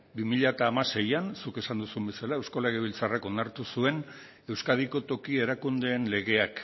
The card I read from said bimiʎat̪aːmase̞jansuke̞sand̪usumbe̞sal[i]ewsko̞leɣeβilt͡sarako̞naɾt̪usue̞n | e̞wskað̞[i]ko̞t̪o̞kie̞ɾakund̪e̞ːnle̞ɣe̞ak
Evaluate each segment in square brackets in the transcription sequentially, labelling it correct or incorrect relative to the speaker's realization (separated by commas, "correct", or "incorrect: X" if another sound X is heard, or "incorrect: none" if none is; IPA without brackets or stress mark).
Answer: incorrect: a, correct